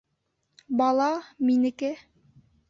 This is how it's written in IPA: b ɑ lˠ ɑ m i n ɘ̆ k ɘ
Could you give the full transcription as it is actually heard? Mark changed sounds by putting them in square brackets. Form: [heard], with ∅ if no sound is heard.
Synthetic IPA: b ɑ lˠ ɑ m i n ɘ̆ k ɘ